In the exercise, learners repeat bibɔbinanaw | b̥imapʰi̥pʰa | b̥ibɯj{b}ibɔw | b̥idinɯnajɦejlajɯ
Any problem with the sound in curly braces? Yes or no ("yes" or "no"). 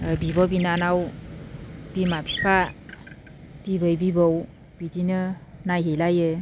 no